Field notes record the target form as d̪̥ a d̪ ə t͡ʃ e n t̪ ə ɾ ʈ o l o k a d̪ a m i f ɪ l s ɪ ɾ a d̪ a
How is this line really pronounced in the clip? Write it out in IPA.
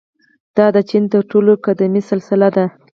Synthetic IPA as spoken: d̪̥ ɑ d̪ ə t͡ʃ i n t̪ ə ɾ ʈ o l o k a d̪ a m i s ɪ l s ɪ l a d̪ a